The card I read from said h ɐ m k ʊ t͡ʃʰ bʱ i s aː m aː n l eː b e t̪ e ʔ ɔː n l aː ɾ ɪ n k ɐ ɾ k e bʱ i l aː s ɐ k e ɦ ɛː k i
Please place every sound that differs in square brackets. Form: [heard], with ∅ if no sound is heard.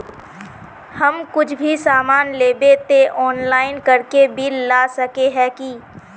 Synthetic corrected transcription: h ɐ m k ʊ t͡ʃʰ bʱ i s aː m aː n l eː b e t̪ e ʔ ɔː n l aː [∅] ɪ n k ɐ ɾ k e bʱ i l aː s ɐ k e ɦ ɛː k i